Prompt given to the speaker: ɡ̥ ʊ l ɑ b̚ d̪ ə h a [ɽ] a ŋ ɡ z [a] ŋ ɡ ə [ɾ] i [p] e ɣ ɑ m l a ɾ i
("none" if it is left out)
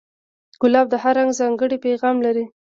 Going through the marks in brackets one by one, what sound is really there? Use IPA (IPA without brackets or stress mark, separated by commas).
ɾ, ɑ, ɽ, p